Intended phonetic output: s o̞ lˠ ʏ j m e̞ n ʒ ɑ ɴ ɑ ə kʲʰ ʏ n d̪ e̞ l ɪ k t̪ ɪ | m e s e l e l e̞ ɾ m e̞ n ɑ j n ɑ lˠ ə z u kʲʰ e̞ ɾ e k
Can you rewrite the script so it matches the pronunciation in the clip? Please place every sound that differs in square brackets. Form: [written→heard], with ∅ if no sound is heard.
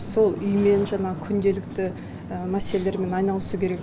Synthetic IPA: s o̞ lˠ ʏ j m e̞ n ʒ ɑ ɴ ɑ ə kʲʰ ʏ n d̪ e̞ l ɪ k t̪ ɪ | m [e→æ] s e l e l e̞ ɾ m e̞ n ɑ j n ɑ lˠ ə [z→s] u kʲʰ e̞ ɾ e k